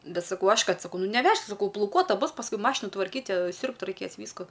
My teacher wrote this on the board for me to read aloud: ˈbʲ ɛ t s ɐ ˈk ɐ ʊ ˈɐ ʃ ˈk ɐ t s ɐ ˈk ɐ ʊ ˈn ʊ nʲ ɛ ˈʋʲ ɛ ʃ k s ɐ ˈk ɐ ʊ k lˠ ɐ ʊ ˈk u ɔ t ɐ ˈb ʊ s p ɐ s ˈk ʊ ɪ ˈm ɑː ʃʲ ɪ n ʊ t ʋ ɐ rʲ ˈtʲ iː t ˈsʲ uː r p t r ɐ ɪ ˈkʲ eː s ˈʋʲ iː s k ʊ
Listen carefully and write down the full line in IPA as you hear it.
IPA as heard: ˈbʲ ɛ t s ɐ ˈk ɐ ʊ ˈɐ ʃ ˈk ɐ t s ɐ ˈk ɐ ʊ ˈn ʊ nʲ ɛ ˈʋʲ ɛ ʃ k s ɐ ˈk ɐ ʊ p lˠ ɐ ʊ ˈk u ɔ t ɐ ˈb ʊ s p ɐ s ˈk ʊ ɪ ˈm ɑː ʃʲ ɪ n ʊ t ʋ ɐ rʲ ˈkʲ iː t ˈsʲ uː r p t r ɐ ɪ ˈkʲ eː s ˈʋʲ iː s k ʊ